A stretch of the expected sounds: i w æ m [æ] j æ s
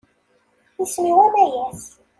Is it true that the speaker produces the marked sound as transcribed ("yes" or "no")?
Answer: yes